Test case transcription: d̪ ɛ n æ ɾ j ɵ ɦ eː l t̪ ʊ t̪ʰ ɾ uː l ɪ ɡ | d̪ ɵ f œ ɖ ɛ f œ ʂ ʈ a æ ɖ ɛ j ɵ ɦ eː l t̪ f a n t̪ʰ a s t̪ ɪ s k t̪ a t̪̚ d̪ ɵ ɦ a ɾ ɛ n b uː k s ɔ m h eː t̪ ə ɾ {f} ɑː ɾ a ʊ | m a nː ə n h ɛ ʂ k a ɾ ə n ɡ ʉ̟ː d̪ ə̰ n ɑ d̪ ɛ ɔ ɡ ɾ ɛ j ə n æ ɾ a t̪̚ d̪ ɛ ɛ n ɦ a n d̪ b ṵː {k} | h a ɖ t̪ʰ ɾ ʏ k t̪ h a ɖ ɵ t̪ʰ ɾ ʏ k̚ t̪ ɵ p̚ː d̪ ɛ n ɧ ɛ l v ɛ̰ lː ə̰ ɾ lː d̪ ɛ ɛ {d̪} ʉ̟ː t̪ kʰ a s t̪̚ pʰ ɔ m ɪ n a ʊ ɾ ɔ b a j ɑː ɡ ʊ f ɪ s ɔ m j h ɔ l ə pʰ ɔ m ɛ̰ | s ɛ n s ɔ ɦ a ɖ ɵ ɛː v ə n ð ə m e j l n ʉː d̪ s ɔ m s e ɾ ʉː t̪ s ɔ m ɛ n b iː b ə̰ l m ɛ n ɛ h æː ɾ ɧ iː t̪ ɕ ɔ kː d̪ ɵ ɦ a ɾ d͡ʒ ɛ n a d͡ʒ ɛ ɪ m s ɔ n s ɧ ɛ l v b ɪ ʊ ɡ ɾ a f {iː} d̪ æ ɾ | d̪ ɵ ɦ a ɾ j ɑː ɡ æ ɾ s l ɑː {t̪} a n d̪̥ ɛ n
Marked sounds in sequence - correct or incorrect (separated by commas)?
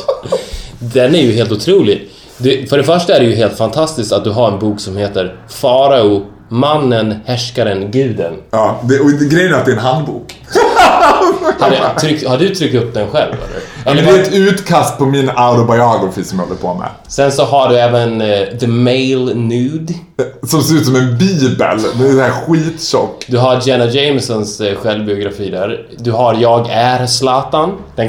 correct, correct, incorrect, correct, correct